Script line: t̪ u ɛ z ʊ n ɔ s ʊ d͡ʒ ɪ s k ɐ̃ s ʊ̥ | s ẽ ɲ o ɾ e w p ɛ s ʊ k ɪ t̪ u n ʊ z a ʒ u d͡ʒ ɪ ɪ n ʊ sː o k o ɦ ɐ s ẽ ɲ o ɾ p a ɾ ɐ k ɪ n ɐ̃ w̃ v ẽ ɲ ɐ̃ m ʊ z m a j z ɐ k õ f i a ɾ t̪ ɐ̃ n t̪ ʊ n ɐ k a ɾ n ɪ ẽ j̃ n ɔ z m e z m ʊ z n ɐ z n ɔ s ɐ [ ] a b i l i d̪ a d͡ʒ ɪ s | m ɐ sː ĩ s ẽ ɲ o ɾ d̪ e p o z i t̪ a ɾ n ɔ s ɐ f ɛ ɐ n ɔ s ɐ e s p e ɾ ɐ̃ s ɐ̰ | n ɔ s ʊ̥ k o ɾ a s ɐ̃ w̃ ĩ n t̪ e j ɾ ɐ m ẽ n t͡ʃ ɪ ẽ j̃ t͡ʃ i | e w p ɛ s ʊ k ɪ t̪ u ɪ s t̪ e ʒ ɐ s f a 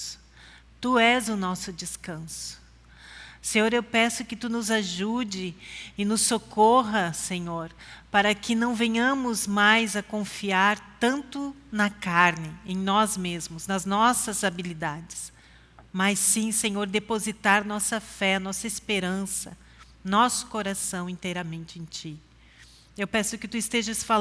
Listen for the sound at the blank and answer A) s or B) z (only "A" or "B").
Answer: B